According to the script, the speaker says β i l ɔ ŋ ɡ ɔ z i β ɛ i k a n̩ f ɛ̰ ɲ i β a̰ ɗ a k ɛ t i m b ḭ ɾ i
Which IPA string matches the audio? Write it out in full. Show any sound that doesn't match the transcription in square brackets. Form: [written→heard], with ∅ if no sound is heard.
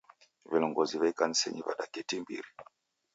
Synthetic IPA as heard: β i l ɔ ŋ ɡ ɔ z i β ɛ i k a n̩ [f→s] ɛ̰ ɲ i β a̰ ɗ a k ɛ t i m b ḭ ɾ i